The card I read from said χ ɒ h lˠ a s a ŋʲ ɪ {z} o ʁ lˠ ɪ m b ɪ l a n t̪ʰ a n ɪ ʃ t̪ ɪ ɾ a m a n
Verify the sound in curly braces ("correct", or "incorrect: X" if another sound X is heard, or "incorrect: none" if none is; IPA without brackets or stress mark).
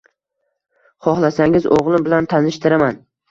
correct